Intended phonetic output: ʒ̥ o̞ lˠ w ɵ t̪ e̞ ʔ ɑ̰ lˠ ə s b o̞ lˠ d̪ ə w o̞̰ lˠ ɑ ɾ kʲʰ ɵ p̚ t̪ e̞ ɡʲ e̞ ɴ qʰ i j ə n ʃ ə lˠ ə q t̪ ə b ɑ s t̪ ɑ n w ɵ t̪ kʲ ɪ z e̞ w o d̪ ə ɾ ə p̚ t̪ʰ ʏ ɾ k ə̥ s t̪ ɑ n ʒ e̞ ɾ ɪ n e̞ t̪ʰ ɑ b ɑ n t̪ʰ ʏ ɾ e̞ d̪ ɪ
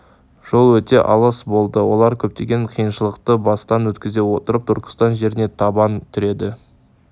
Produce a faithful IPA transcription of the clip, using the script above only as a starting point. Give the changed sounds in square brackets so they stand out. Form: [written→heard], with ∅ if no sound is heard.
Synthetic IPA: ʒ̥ o̞ lˠ w ɵ t̪ e̞ ʔ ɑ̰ lˠ ə s b o̞ lˠ d̪ ə w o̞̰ lˠ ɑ ɾ kʲʰ ɵ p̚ t̪ e̞ ɡʲ e̞ ɴ qʰ i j ə n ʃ ə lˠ ə q t̪ ə b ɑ s t̪ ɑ n w ɵ t̪ kʲ ɪ z e̞ w o [d̪→t̪] ə ɾ ə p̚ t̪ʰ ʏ ɾ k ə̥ s t̪ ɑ n ʒ e̞ ɾ ɪ n e̞ t̪ʰ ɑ b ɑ n t̪ʰ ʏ ɾ e̞ d̪ ɪ